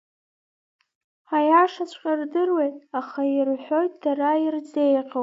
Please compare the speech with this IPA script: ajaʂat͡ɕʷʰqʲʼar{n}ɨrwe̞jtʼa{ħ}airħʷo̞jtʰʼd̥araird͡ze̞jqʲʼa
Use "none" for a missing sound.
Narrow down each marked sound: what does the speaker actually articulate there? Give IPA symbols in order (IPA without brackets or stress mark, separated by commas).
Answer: d, χ